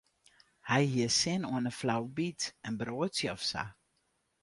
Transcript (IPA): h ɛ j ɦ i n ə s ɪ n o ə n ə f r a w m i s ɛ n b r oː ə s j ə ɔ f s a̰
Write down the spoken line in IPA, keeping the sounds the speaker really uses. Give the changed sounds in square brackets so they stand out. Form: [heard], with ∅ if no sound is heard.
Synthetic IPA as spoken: h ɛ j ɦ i [∅] ə s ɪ n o ə n ə f [l] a w [b] i [t] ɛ n b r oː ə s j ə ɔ f s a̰